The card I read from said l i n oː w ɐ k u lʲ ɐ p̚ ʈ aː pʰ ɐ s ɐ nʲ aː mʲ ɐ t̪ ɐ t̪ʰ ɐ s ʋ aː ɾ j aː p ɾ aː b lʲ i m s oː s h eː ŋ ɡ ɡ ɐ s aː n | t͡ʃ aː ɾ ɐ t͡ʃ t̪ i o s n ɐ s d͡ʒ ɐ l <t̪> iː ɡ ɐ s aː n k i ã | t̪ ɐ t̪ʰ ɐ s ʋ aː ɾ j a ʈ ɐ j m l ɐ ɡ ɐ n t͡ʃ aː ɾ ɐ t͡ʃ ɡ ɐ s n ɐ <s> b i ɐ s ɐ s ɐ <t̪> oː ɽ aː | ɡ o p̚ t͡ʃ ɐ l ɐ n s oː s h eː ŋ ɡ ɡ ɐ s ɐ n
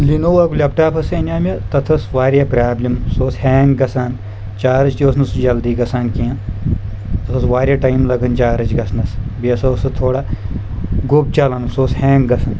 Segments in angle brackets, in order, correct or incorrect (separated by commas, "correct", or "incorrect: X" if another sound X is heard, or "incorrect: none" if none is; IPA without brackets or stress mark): incorrect: d̪, correct, incorrect: t̪ʰ